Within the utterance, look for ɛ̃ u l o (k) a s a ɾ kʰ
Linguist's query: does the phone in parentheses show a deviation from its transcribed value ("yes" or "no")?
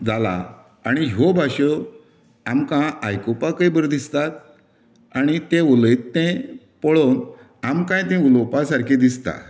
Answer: yes